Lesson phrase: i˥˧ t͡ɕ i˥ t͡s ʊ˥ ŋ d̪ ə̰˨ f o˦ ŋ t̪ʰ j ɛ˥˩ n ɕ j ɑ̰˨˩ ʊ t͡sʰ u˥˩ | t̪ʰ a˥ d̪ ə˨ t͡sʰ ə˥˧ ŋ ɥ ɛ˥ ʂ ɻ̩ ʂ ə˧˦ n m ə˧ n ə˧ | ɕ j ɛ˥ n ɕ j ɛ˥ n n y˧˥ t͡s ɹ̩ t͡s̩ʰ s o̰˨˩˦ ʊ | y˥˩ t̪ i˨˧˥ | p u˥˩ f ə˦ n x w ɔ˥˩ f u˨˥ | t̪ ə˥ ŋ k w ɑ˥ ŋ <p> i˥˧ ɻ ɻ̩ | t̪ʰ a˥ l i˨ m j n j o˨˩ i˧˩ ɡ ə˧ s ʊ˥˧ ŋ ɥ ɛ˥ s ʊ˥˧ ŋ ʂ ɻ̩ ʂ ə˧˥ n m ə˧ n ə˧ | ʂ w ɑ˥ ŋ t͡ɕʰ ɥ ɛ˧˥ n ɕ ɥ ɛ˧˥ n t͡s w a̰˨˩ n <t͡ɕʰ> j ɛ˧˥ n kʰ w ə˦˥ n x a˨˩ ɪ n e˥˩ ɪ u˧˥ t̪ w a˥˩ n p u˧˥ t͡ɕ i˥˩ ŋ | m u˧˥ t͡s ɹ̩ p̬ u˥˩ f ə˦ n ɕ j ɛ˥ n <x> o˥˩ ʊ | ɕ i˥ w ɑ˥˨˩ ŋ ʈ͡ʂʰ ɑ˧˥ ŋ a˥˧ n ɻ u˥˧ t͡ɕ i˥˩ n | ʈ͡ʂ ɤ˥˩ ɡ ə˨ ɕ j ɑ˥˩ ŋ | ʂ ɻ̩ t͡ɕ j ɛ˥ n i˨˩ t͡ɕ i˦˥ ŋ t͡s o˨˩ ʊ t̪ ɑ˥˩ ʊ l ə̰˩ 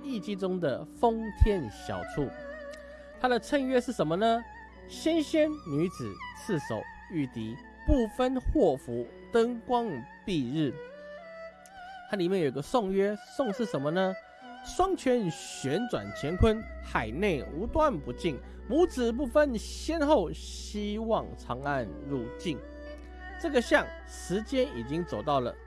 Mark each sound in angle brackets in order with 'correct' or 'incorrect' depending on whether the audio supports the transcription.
correct, correct, correct

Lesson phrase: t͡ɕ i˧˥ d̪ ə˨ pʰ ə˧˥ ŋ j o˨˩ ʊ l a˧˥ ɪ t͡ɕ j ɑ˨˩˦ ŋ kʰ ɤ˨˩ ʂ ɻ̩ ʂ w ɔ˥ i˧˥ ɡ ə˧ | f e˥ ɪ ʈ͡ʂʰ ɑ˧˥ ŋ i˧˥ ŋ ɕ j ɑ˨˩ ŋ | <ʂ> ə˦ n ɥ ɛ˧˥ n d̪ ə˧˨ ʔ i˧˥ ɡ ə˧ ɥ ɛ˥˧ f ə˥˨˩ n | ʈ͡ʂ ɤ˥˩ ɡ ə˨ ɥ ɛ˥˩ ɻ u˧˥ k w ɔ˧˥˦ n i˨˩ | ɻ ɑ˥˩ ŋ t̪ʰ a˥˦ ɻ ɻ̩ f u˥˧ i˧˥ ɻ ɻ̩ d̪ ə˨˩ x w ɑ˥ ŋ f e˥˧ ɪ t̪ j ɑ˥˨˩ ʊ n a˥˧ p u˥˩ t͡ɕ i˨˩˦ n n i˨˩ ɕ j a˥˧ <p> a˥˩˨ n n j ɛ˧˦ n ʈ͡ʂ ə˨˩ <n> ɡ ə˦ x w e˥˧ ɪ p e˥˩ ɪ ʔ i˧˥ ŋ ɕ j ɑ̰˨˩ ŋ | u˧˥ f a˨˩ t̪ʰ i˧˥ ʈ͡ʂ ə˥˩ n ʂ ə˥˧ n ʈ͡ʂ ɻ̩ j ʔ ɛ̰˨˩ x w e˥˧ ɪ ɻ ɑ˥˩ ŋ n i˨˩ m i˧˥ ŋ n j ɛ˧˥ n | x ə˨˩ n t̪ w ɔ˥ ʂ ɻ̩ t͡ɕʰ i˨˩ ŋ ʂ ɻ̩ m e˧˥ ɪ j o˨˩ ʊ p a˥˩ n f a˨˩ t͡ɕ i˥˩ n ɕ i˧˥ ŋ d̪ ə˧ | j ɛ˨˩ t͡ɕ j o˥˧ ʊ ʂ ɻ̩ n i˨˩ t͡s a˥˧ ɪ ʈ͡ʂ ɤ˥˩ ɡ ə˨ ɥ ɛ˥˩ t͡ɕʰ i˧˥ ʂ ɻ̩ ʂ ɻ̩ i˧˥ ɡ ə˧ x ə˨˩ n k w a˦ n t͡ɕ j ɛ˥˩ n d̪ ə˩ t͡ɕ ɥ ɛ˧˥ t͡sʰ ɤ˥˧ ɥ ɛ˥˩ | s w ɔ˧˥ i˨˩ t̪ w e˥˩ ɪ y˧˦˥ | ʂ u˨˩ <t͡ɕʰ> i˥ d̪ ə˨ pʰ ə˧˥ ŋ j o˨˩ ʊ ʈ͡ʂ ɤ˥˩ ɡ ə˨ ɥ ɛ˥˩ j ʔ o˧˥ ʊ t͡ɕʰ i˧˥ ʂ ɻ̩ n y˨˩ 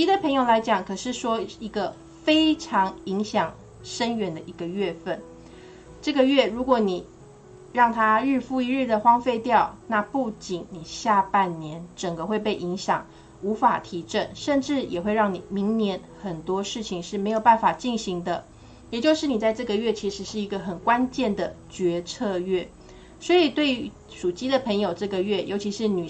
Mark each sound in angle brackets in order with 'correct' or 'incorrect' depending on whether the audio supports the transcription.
correct, correct, incorrect: ŋ, incorrect: t͡ɕ

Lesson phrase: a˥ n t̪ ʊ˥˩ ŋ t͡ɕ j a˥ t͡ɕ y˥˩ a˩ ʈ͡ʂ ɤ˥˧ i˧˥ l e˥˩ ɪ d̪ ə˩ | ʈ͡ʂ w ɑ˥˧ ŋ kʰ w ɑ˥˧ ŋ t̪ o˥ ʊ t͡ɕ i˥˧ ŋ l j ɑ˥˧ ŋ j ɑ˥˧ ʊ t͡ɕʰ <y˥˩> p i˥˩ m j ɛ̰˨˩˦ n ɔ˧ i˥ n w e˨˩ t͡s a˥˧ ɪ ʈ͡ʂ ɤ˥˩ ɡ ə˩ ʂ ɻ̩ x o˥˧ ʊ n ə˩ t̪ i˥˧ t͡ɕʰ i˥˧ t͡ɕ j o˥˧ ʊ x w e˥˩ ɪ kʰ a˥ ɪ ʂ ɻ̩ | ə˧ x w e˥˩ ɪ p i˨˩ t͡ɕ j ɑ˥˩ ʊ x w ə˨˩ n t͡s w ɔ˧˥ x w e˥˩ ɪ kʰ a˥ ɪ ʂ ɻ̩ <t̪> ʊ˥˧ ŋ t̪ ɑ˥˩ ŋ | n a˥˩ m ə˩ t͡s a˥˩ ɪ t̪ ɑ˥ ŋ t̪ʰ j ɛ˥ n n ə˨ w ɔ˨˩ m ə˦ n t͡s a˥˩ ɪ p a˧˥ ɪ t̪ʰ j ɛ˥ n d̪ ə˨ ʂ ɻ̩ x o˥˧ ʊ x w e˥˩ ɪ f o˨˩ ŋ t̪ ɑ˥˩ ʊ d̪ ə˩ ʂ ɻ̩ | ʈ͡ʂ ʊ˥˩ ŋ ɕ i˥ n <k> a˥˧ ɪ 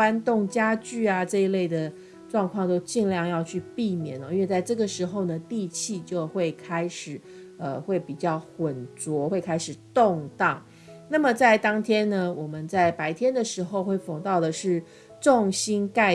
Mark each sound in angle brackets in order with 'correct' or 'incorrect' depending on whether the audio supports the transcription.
incorrect: y˥˧, correct, correct

